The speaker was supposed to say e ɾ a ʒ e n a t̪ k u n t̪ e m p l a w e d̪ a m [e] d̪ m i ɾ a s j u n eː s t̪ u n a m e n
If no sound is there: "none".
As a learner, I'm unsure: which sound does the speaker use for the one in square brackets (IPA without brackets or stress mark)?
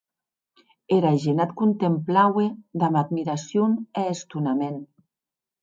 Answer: a